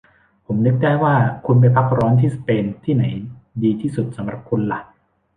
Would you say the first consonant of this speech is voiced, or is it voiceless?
voiceless